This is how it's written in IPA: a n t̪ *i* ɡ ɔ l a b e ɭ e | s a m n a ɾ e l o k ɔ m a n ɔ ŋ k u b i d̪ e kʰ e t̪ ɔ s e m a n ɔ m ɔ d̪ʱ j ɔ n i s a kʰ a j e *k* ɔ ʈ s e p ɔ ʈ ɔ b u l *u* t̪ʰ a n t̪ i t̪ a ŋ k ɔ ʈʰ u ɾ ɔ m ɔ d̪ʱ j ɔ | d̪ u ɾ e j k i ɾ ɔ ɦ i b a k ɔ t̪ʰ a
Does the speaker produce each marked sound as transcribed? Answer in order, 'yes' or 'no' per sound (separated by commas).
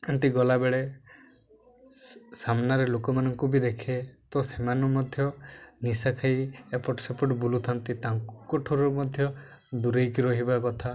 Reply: yes, no, yes